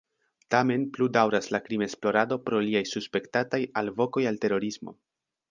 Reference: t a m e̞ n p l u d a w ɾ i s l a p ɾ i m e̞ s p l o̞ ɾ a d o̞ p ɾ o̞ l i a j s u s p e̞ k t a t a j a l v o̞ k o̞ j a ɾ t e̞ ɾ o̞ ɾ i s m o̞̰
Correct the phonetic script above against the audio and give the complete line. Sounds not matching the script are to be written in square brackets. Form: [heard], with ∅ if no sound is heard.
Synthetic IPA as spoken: t a m e̞ n p l u d a w ɾ [a] s l a [k] ɾ i m e̞ s p l o̞ ɾ a d o̞ p ɾ o̞ l i a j s u s p e̞ k t a t a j a l v o̞ k o̞ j a [l] t e̞ ɾ o̞ ɾ i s m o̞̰

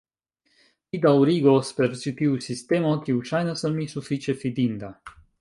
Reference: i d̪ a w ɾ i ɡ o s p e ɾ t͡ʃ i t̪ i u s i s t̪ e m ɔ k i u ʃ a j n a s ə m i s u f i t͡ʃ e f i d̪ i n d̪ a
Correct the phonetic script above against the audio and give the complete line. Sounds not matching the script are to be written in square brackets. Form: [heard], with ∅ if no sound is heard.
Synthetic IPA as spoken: i d̪ a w ɾ i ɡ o s p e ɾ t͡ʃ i t̪ i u s i s t̪ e m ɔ k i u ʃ a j n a s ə m i s u f i t͡ʃ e f i d̪ i n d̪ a

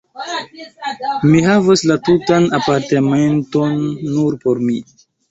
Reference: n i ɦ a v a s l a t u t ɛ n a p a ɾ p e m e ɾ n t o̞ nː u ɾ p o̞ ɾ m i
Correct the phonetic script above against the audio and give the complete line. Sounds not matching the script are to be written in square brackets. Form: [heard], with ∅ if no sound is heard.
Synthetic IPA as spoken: [m] i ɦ a v a s l a t u t [a] n a p a ɾ [t] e m e [∅] n t o̞ nː u ɾ p o̞ ɾ m i

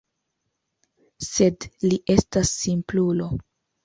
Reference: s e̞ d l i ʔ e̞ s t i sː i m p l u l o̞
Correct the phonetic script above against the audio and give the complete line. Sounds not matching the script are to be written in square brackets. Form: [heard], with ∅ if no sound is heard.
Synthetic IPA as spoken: s e̞ d l i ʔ e̞ s t [a] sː i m p l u l o̞

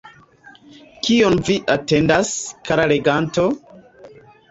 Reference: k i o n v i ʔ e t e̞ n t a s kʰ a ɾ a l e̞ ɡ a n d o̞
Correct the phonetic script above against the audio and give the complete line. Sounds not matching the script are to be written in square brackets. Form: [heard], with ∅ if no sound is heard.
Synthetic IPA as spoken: k i o n v i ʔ [a] t e̞ n [d] a s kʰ a ɾ a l e̞ ɡ a n [t] o̞

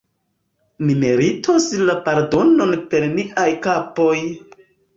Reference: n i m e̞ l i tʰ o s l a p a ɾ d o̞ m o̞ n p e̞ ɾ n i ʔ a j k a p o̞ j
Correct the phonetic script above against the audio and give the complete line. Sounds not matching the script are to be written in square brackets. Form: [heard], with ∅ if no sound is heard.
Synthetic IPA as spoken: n i m e̞ [ɾ] i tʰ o s l a p a ɾ d o̞ [n] o̞ n p e̞ ɾ n i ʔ a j k a p o̞ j

